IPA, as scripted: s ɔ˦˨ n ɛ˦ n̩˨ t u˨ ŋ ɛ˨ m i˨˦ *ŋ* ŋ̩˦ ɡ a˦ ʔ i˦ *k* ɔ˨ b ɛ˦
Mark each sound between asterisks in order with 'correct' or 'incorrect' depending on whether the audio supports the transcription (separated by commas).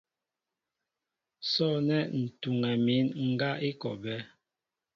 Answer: incorrect, correct